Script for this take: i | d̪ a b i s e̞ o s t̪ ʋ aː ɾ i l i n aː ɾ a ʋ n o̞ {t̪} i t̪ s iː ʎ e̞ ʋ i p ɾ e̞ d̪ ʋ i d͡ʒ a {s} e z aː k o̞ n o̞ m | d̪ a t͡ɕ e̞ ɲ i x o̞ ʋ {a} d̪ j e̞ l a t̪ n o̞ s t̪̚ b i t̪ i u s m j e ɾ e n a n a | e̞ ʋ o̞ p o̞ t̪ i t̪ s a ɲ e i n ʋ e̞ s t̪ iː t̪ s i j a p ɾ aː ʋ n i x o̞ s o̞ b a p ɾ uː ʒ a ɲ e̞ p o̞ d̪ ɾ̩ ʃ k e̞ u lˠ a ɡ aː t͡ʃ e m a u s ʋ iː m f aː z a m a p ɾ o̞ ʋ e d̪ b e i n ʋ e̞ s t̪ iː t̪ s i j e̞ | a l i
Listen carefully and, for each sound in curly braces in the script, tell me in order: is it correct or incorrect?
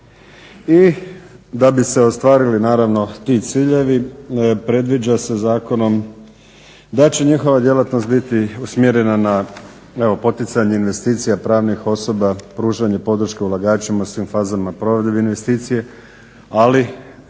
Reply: correct, correct, correct

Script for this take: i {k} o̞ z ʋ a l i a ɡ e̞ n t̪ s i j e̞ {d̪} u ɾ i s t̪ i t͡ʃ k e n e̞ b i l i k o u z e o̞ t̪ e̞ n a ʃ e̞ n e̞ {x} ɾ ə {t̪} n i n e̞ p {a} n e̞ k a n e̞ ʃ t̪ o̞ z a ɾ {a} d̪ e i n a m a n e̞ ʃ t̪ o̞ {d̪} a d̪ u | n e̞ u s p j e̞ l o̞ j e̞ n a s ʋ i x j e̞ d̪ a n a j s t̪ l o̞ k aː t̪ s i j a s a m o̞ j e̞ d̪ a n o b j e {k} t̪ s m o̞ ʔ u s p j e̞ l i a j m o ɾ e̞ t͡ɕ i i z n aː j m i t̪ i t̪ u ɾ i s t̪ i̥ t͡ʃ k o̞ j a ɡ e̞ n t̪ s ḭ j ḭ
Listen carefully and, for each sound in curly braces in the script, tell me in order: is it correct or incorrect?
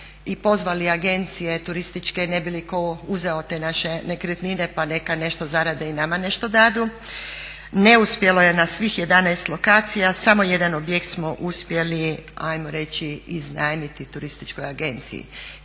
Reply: incorrect: p, incorrect: t̪, incorrect: k, correct, correct, correct, correct, correct

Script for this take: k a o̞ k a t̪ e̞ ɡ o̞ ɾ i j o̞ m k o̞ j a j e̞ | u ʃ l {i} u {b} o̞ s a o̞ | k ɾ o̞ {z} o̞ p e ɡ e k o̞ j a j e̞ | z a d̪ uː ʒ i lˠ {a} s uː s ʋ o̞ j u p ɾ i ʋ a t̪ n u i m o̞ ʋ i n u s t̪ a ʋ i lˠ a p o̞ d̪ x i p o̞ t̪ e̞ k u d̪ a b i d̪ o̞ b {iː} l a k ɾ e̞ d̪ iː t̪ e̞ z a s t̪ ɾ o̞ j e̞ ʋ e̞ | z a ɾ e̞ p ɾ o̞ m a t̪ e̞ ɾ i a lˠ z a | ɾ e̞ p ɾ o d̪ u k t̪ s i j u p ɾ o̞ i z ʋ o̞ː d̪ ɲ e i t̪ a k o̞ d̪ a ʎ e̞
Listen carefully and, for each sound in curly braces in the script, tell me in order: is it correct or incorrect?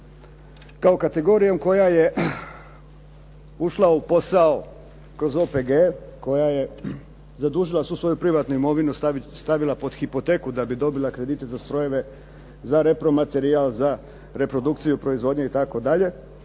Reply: incorrect: a, incorrect: p, correct, correct, incorrect: i

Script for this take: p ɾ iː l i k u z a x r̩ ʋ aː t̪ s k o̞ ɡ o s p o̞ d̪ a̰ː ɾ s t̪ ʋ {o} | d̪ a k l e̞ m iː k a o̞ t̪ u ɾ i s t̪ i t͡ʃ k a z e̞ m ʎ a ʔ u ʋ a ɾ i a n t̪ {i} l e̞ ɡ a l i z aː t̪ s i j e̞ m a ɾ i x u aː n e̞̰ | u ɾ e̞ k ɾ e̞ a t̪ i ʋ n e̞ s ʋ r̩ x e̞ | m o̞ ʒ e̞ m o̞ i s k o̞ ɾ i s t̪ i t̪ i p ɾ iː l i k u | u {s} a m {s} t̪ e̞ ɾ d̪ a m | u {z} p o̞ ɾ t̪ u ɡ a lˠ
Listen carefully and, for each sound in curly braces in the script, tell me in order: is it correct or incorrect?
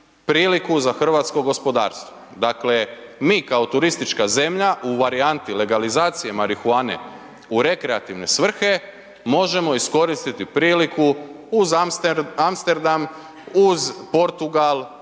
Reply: correct, correct, incorrect: z, correct, correct

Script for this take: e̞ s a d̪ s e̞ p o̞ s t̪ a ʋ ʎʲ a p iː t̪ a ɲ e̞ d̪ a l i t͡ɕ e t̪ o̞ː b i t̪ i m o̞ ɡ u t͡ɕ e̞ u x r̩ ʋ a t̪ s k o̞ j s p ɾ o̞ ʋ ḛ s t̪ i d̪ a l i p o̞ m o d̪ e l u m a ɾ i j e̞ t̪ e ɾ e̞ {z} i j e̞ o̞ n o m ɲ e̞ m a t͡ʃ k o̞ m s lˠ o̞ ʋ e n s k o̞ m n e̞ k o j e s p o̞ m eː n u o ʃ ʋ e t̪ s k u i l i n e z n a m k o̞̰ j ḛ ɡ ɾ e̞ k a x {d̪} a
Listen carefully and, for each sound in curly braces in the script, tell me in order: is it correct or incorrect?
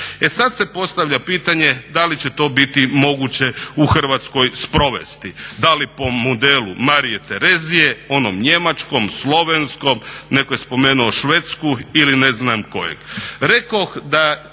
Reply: correct, correct

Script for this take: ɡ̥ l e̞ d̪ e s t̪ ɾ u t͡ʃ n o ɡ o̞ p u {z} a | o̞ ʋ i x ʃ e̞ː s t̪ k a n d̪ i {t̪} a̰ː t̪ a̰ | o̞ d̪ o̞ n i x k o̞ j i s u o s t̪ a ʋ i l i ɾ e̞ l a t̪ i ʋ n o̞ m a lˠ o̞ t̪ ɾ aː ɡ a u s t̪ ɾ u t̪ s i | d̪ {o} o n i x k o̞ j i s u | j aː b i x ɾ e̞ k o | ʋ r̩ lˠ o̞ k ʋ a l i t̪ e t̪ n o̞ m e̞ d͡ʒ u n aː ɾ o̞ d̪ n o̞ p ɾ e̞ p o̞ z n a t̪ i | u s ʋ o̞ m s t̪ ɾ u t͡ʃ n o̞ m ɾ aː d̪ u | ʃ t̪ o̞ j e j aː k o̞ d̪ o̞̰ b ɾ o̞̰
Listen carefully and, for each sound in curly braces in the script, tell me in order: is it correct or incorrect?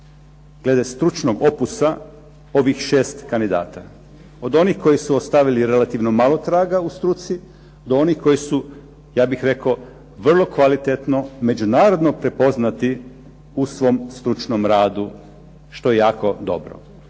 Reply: incorrect: s, incorrect: d̪, correct

